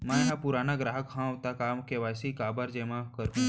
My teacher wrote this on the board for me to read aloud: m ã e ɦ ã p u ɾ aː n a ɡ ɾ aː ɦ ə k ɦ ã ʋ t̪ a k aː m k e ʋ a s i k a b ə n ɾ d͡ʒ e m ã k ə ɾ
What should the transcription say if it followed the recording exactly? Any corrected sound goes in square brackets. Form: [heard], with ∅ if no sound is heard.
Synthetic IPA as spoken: m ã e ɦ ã p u ɾ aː n a ɡ ɾ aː ɦ ə k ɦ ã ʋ t̪ a k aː m k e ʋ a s i k a b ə [∅] ɾ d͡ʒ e m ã k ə ɾ